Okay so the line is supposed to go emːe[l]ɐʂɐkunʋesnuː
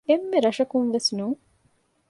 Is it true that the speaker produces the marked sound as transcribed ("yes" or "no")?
no